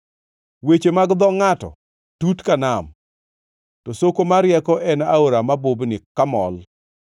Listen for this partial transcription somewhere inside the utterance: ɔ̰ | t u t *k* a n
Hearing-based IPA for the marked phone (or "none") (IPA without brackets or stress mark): k